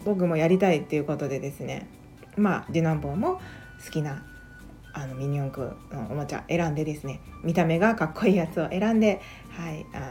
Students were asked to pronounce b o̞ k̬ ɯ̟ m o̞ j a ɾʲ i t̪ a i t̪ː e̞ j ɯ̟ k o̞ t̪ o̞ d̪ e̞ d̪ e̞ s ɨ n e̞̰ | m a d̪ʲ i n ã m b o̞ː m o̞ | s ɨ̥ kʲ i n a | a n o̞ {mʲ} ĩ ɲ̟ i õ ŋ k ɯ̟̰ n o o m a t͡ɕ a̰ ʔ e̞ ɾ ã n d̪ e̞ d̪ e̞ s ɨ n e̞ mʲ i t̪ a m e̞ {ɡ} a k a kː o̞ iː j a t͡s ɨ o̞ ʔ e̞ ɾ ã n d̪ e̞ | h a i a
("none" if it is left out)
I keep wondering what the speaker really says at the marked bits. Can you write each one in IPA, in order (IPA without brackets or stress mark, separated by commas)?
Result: mʲ, ɡ